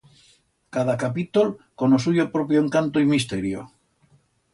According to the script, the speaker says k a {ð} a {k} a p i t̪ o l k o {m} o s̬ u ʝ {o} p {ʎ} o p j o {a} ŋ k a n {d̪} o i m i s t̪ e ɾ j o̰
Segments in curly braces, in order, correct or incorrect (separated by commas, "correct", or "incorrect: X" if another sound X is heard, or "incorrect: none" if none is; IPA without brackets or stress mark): correct, correct, incorrect: n, correct, incorrect: ɾ, incorrect: e, incorrect: t̪